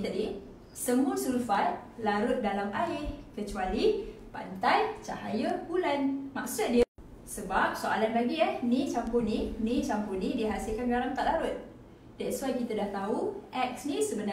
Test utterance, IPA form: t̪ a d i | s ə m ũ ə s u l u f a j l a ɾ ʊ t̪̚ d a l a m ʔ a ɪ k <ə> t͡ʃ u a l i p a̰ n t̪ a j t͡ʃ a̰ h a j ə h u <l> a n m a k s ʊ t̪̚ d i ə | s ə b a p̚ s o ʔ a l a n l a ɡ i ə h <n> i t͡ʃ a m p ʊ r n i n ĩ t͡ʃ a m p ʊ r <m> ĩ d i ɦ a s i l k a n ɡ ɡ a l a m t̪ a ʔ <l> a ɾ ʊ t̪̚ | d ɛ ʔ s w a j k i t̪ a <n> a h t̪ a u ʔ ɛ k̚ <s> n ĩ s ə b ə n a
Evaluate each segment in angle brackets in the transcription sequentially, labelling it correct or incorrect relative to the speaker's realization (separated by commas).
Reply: correct, correct, correct, incorrect, correct, incorrect, correct